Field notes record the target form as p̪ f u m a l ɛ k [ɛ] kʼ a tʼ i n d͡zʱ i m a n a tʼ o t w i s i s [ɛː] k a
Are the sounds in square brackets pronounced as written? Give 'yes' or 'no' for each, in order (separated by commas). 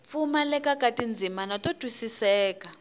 no, yes